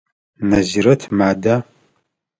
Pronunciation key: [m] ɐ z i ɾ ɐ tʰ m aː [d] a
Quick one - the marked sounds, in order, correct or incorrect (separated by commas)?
incorrect, correct